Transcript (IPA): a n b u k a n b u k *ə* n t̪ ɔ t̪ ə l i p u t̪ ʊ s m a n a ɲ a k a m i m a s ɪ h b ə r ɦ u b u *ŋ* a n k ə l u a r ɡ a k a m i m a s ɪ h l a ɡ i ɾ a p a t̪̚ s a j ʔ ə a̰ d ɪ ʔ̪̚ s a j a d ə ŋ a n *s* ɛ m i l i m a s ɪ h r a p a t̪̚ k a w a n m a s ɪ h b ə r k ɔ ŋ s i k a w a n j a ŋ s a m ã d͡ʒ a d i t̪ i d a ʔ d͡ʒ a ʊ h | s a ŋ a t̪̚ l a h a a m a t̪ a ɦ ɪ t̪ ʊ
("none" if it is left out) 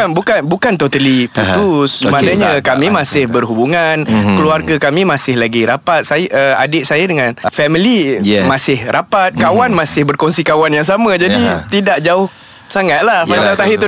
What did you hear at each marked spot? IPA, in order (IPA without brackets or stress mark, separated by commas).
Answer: a, ŋ, f